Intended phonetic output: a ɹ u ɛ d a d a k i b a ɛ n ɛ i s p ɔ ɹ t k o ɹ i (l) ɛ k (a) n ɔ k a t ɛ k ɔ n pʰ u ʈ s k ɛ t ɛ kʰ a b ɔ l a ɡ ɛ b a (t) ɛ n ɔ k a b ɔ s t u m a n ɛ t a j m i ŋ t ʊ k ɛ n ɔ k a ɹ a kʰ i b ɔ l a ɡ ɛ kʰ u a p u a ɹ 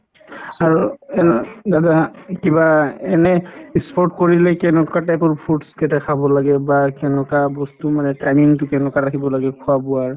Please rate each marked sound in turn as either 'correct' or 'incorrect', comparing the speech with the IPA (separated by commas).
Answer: correct, incorrect, incorrect